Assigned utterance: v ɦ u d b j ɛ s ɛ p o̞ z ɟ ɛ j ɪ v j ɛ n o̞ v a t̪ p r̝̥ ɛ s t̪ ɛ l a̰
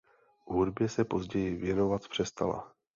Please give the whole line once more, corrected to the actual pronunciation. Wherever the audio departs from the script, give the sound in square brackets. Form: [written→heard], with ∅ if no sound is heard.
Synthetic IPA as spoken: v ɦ u d b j ɛ s ɛ p o̞ z ɟ ɛ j ɪ v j ɛ n o̞ v a t̪ p r̝̥ ɛ s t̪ [ɛ→a] l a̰